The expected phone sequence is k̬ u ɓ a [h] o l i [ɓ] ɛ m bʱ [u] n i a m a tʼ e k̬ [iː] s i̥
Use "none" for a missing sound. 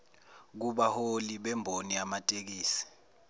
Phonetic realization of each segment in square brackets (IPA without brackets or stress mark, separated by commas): h, ɓ, o, iː